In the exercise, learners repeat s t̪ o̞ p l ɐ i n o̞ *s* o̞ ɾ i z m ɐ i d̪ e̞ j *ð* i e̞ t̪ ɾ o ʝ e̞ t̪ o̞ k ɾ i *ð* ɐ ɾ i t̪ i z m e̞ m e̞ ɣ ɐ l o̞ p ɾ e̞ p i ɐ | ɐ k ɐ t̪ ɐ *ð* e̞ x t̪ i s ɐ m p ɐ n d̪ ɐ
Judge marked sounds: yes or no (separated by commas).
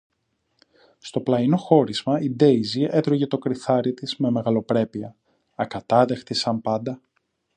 no, no, no, yes